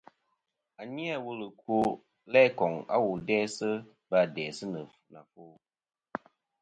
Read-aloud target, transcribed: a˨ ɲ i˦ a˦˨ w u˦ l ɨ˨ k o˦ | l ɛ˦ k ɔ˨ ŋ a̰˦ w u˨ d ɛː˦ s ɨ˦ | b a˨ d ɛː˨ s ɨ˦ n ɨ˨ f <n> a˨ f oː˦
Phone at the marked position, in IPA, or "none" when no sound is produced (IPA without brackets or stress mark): n